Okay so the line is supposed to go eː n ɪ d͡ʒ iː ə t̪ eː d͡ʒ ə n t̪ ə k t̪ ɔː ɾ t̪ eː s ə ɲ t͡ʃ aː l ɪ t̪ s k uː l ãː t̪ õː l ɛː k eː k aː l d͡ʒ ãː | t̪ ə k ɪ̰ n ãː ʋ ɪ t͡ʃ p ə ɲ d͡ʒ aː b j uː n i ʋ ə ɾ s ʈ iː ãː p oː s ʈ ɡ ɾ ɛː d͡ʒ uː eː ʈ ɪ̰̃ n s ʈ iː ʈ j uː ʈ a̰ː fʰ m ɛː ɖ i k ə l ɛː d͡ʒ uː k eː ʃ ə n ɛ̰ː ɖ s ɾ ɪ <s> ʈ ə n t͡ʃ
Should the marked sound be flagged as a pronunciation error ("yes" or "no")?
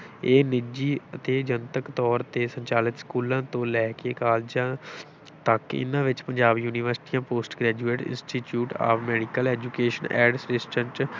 no